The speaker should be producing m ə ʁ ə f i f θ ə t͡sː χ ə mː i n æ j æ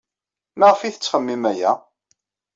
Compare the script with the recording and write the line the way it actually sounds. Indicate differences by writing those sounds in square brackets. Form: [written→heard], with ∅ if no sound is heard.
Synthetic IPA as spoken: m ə ʁ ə f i [f→∅] θ ə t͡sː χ ə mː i [n→m] æ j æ